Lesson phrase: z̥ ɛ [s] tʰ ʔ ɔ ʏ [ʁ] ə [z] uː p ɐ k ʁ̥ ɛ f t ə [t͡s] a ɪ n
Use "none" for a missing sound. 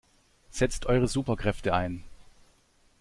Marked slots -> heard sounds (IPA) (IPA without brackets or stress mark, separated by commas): t͡s, ʁ, z, none